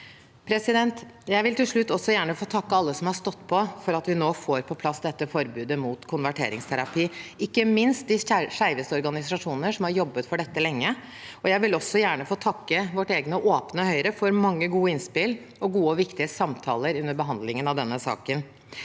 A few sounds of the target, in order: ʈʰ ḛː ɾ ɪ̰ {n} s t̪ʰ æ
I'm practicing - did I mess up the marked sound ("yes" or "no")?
yes